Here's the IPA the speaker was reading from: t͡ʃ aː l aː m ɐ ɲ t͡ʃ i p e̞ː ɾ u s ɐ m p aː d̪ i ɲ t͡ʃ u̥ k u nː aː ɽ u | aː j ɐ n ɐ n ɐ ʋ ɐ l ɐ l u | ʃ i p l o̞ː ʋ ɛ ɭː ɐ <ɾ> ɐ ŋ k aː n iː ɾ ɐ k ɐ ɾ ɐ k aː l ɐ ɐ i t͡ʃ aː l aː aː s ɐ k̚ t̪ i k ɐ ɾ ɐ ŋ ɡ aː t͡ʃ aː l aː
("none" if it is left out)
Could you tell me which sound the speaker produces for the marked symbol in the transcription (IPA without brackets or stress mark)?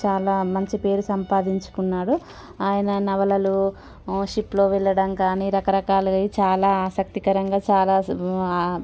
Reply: ɽ